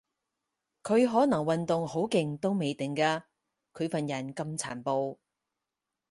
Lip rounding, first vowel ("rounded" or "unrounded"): rounded